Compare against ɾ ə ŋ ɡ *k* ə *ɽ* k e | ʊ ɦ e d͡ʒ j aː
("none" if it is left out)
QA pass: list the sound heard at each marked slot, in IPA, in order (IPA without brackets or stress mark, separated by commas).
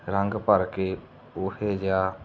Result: p, ɾ